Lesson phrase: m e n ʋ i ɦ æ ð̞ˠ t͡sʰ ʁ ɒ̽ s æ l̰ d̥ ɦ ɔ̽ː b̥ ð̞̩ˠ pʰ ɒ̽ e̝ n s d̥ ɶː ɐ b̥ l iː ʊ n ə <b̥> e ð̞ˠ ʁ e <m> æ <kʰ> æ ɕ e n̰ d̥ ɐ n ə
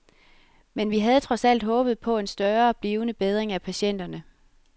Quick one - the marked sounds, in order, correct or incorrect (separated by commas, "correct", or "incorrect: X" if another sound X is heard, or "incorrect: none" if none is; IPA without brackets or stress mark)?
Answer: correct, incorrect: ŋ, incorrect: pʰ